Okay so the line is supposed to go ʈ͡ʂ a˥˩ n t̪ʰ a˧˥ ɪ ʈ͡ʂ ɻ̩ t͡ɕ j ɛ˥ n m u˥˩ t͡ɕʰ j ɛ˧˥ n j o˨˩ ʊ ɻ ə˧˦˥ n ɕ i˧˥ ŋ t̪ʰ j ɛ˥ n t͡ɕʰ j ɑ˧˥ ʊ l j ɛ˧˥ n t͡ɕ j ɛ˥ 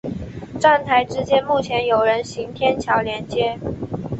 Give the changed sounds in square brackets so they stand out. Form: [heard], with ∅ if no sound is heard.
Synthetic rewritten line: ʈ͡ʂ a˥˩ n t̪ʰ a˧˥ ɪ ʈ͡ʂ ɻ̩ t͡ɕ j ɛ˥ n m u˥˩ t͡ɕʰ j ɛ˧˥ n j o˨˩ ʊ ɻ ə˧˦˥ n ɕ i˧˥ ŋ t̪ʰ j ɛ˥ n t͡ɕʰ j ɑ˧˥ ʊ l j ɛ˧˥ n t͡ɕ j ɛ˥